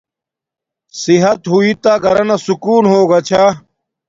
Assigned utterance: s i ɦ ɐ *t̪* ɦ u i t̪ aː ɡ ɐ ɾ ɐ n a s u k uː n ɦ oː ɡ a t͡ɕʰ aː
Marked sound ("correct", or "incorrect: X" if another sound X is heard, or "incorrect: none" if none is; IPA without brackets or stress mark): correct